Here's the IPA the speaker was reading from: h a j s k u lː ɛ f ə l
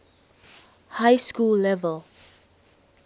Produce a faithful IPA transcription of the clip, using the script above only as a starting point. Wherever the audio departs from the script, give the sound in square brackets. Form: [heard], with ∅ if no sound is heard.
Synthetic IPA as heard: h a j s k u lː ɛ [v] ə l

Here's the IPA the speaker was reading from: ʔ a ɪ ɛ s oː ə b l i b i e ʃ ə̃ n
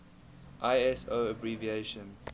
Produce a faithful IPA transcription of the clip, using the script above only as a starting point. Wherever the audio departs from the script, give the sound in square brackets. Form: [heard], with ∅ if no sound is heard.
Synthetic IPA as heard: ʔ a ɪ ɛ s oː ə b [ɹ] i [v] i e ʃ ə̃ n

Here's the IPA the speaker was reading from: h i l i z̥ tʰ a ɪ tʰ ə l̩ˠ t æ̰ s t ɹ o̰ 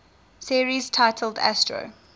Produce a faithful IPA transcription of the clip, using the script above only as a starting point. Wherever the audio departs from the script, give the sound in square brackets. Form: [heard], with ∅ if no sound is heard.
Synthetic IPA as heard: [s] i [ɹ] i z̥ tʰ a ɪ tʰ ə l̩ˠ [d] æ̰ s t ɹ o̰

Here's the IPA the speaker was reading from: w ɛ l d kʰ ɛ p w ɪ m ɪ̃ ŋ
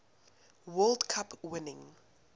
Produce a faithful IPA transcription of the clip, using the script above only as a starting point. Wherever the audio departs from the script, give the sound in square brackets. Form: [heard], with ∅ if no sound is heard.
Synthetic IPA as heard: w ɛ l d kʰ [a] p w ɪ [n] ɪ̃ ŋ

